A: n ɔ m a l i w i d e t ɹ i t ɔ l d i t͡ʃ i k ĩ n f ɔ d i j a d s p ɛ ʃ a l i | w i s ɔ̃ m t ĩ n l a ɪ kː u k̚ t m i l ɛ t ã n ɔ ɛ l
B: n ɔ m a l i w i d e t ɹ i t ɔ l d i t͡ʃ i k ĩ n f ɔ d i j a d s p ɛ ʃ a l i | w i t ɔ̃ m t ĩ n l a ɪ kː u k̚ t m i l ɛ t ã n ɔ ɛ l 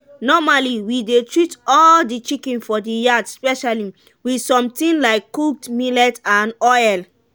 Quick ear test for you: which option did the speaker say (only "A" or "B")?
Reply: A